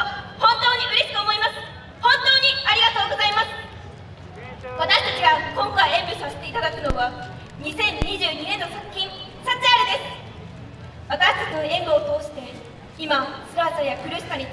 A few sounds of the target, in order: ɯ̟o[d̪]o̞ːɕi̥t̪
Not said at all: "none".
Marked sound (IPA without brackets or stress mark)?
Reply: t̪